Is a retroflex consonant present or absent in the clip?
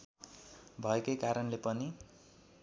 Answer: absent